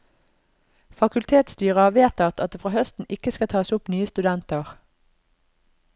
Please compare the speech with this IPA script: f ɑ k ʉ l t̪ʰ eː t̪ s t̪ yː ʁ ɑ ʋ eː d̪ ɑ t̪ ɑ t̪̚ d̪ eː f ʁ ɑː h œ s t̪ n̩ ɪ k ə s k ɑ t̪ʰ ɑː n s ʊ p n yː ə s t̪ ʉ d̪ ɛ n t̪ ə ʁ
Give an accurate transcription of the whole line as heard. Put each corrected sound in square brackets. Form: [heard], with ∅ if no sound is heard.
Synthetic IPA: f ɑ k ʉ l t̪ʰ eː t̪ s t̪ yː ʁ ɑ ʋ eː [t̪] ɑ t̪ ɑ t̪̚ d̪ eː f ʁ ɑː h œ s t̪ n̩ ɪ k ə s k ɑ t̪ʰ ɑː [∅] s ʊ p n yː ə s t̪ ʉ d̪ ɛ n t̪ ə ʁ